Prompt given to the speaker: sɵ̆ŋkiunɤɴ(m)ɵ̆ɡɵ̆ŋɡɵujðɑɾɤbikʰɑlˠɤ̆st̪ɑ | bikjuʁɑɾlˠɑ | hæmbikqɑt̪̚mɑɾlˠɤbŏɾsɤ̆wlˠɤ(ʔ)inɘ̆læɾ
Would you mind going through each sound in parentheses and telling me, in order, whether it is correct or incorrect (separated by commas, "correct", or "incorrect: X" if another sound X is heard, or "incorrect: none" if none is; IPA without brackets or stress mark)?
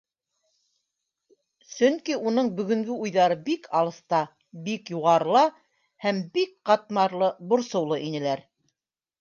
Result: incorrect: b, correct